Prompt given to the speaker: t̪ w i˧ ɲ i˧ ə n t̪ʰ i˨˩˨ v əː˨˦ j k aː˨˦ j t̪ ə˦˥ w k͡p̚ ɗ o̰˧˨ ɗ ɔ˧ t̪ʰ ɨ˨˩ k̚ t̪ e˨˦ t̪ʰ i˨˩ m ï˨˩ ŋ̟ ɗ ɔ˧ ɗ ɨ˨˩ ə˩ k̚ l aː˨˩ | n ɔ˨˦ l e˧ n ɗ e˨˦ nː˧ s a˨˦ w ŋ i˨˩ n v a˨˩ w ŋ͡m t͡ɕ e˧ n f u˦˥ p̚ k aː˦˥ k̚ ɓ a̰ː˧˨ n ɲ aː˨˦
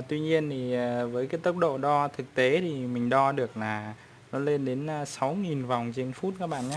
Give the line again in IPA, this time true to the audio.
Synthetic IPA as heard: t̪ w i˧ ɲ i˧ ə n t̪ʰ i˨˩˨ v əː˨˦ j k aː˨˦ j t̪ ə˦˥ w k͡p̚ ɗ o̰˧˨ ɗ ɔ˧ t̪ʰ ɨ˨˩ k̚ t̪ e˨˦ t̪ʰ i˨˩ m ï˨˩ ŋ̟ ɗ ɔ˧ ɗ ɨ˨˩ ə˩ k̚ l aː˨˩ | n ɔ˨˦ l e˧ n ɗ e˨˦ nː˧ s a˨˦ w ŋ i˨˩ n v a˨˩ w ŋ͡m t͡ɕ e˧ n f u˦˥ t̚ k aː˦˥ k̚ ɓ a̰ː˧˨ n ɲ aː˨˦

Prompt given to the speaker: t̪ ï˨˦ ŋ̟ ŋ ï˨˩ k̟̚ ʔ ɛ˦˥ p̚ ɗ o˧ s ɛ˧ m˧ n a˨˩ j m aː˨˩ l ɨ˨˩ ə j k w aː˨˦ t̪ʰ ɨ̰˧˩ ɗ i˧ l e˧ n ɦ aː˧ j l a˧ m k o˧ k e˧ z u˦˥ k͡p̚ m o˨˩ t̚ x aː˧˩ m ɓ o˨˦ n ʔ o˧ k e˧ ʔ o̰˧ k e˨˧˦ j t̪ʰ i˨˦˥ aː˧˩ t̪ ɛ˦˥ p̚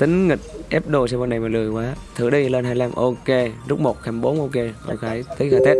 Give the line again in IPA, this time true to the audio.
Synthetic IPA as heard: t̪ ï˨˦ ŋ̟ ŋ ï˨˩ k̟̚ ʔ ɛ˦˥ p̚ ɗ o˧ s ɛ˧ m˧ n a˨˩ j m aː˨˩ l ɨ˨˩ ə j k w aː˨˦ t̪ʰ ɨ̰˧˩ ɗ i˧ l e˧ n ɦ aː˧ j l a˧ m ʔ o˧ k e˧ z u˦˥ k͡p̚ m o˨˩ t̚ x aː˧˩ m ɓ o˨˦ n ʔ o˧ k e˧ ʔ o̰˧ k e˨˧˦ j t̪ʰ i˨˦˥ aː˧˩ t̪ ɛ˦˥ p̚

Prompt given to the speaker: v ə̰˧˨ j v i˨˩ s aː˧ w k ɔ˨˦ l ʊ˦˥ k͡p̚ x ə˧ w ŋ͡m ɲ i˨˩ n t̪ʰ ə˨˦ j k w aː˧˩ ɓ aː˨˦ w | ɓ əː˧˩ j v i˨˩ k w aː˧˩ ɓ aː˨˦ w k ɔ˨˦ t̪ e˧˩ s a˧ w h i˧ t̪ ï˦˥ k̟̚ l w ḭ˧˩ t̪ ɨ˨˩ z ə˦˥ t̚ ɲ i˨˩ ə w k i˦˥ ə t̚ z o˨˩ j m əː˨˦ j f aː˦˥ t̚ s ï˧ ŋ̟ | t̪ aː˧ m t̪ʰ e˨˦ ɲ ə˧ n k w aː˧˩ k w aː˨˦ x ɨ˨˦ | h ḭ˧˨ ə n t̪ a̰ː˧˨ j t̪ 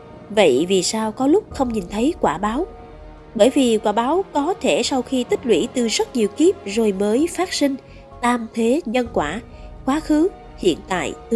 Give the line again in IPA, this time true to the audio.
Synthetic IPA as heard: v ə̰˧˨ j v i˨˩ s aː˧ w k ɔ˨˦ l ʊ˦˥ k͡p̚ x ə˧ w ŋ͡m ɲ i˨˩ n t̪ʰ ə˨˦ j k w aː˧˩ ɓ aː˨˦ w | ɓ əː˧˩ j v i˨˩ k w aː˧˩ ɓ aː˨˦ w k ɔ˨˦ t̪ʰ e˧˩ s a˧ w x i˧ t̪ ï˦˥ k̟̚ l w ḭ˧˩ t̪ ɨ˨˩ z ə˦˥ t̚ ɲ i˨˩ ə w k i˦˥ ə p̚ z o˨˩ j m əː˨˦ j f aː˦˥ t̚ s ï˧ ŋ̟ | t̪ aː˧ m t̪ʰ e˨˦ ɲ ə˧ n k w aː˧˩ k w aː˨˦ x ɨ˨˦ | h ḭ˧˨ ə n t̪ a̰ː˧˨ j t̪

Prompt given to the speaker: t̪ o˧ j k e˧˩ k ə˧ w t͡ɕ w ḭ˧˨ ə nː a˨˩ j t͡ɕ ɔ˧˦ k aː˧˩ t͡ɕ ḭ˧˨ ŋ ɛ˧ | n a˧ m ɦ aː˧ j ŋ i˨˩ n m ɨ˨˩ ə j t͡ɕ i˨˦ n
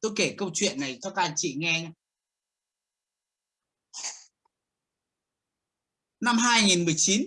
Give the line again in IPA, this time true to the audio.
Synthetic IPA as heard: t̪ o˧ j k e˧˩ k ə˧ w t͡ɕ w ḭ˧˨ ə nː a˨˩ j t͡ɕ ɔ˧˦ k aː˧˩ t͡ɕ ḭ˧˨ ŋ ɛ˧ | n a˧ m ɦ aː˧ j ŋ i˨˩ n m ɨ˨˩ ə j t͡ɕ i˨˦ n

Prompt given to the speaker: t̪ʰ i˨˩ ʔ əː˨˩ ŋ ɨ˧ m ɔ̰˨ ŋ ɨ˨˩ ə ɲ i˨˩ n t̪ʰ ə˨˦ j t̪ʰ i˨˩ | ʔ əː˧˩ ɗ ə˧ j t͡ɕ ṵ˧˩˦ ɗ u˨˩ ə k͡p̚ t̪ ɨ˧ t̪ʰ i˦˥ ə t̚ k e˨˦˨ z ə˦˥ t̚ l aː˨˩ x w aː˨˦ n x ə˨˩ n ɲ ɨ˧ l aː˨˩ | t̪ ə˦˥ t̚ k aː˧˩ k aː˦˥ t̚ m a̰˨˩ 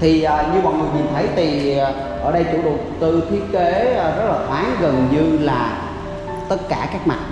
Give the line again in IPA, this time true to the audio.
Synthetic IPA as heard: t̪ʰ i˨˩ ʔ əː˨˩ ɲ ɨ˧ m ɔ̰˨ ŋ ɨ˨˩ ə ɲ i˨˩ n t̪ʰ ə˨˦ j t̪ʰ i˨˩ | ʔ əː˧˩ ɗ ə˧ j t͡ɕ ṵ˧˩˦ ɗ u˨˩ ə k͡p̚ t̪ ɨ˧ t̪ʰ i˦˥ ə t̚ k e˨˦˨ z ə˦˥ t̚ l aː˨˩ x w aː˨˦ n ɣ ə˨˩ n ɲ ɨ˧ l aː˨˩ | t̪ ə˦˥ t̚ k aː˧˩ k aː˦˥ k̚ m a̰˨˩

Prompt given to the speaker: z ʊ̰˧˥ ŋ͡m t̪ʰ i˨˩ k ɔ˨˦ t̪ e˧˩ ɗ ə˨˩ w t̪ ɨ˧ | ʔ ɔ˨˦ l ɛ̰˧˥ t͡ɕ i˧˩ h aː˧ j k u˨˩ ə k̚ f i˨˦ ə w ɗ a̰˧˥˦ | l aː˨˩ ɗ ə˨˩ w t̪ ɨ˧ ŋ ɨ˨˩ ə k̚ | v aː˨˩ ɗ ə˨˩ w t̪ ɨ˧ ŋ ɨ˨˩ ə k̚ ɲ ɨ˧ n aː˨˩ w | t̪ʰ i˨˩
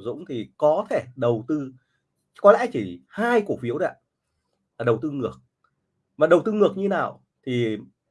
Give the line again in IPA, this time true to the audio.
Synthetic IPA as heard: z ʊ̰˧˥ ŋ͡m t̪ʰ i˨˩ k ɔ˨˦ t̪ʰ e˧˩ ɗ ə˨˩ w t̪ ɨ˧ | k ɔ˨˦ l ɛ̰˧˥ t͡ɕ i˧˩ h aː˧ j k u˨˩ ə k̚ f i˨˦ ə w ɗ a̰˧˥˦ | l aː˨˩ ɗ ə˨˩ w t̪ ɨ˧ ŋ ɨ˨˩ ə k̚ | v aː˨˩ ɗ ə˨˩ w t̪ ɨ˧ ŋ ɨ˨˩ ə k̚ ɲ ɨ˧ n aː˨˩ w | t̪ʰ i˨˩

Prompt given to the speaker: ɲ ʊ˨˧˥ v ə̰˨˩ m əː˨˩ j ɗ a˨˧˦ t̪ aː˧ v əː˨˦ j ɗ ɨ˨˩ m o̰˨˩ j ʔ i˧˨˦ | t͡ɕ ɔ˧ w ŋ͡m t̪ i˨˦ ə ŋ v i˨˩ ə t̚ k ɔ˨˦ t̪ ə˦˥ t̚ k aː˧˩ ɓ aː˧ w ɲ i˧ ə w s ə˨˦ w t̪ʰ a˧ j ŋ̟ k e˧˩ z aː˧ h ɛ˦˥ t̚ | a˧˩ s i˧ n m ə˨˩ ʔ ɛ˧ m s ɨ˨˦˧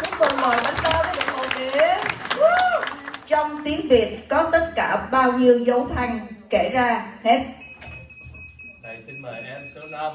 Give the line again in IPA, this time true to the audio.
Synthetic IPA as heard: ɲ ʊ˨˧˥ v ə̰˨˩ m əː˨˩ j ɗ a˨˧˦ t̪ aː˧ v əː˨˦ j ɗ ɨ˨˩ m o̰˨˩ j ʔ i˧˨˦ | t͡ɕ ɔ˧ w ŋ͡m t̪ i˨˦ ə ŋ v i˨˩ ə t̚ k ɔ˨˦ t̪ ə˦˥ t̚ k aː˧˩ ɓ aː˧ w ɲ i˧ ə w z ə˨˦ w t̪ʰ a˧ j ŋ̟ k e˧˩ z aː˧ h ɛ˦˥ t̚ | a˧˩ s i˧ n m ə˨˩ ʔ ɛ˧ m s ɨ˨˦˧

